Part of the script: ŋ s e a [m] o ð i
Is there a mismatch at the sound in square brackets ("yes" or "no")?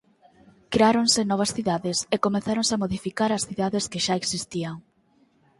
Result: no